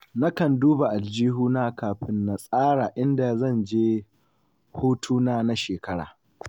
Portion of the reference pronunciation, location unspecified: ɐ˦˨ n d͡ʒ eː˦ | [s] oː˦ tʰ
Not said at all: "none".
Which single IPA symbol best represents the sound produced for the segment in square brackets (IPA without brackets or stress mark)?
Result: h